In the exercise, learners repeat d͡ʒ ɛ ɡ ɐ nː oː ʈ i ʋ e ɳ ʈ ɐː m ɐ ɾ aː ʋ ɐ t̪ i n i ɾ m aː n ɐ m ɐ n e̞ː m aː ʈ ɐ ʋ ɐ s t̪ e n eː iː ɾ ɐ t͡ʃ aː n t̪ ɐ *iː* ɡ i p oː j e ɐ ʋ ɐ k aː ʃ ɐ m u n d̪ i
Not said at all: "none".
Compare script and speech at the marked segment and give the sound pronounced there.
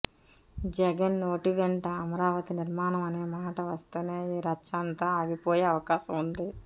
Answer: aː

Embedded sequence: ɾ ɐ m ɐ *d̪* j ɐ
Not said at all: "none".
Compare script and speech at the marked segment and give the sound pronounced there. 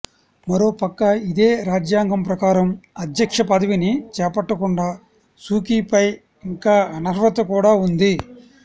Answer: d̪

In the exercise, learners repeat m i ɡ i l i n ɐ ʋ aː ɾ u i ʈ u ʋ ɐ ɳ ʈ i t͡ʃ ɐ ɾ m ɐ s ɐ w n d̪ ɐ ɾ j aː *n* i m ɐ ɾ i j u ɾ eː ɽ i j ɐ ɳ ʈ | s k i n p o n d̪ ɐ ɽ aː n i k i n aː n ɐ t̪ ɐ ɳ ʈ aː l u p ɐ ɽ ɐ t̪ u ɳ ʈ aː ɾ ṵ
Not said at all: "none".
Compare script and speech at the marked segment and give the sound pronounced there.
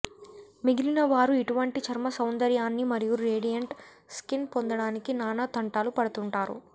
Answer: nː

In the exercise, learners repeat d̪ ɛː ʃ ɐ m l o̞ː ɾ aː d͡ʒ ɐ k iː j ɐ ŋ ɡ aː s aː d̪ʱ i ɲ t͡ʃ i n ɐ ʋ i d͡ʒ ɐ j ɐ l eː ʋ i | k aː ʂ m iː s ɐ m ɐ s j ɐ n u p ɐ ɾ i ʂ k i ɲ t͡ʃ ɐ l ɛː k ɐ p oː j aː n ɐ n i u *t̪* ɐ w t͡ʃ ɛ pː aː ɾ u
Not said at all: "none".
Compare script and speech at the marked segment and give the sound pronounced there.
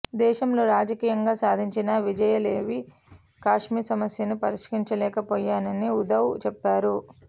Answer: d̪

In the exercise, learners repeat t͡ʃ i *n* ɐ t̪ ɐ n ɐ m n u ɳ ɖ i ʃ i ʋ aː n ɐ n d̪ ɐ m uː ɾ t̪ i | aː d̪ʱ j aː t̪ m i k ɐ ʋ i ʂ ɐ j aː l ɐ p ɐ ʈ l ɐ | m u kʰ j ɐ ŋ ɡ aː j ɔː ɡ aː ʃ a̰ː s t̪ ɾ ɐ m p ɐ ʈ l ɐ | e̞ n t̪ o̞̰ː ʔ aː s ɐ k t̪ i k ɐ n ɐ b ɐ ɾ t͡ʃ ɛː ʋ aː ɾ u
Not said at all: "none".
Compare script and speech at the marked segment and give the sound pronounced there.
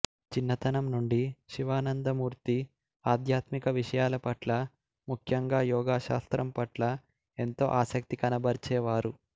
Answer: nː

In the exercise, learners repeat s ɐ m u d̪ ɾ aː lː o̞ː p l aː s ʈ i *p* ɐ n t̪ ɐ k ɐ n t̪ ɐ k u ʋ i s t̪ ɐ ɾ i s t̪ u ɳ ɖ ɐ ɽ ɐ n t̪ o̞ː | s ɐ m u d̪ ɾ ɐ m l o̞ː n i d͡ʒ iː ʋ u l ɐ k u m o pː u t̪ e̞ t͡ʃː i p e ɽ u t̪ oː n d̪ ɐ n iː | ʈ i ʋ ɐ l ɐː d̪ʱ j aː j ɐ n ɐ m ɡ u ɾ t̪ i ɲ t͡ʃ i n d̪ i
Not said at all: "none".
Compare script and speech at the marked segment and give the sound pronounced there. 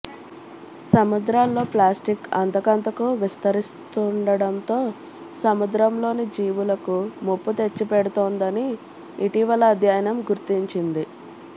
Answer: k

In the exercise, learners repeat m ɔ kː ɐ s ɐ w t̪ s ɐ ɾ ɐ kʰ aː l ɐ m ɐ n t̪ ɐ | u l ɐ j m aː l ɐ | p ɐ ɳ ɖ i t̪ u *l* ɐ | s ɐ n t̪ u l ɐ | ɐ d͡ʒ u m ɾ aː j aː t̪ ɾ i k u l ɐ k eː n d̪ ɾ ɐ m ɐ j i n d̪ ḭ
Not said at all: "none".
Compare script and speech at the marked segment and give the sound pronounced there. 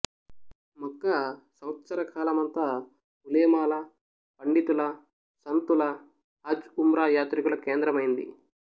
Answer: l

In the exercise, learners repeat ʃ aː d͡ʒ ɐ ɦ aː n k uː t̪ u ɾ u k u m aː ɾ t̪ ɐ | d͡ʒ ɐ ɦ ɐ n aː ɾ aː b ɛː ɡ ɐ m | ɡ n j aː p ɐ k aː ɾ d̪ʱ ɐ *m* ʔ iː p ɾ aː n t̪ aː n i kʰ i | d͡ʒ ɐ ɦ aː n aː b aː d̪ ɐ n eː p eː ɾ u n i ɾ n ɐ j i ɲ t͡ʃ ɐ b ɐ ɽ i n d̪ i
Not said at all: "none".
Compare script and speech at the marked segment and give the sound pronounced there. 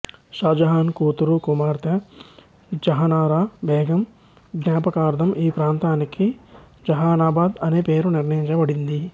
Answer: m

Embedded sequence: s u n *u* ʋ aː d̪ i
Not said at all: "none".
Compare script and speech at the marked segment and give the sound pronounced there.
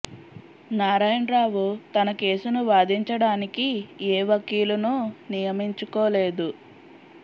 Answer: u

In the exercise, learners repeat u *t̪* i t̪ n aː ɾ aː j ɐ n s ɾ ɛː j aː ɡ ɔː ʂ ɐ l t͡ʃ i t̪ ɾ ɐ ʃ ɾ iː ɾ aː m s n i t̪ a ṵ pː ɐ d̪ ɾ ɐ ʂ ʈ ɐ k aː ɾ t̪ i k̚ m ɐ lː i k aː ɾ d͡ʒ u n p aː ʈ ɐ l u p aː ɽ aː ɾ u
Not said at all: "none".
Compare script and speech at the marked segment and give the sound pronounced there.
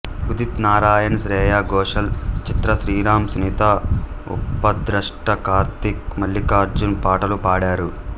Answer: d̪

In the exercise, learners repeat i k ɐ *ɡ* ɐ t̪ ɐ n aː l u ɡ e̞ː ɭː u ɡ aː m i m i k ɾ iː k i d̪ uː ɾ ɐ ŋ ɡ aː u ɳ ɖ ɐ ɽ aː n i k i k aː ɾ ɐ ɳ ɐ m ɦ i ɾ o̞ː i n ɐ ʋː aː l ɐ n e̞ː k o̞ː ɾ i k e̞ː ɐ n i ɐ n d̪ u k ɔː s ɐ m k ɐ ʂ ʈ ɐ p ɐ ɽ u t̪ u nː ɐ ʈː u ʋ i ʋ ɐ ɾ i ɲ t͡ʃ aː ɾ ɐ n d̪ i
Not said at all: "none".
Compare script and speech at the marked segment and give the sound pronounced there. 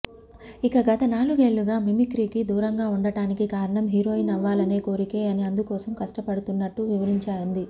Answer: ɡ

